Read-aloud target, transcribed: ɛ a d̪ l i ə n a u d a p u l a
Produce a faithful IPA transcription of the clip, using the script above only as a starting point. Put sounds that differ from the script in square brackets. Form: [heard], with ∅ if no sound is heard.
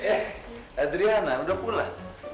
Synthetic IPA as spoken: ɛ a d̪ [ɾ] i [a] n a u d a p u l a